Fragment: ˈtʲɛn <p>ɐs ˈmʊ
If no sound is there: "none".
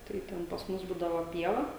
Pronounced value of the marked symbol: p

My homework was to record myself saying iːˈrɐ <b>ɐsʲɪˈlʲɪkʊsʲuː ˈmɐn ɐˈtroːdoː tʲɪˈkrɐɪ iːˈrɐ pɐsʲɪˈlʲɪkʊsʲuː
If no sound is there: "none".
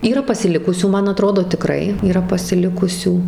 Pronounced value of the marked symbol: p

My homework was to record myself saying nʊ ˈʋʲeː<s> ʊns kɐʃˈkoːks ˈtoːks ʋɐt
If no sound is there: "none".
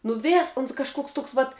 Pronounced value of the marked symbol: s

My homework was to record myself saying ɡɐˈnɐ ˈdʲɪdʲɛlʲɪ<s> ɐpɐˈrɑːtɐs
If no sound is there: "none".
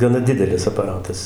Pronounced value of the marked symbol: s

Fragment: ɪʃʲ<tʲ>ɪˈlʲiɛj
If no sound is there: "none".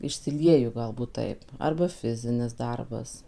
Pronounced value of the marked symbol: sʲ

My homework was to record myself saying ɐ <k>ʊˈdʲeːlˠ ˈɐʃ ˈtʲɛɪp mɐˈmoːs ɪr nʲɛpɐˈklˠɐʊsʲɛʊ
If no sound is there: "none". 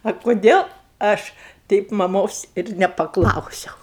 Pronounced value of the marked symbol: k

